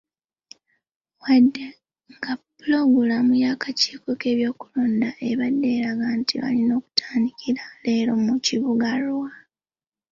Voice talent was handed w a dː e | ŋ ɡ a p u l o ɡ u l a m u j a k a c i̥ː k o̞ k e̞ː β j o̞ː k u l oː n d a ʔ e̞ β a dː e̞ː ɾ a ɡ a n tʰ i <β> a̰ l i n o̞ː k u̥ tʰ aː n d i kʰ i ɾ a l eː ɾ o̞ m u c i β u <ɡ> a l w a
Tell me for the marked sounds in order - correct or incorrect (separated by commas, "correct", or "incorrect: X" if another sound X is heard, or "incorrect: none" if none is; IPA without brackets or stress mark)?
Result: correct, correct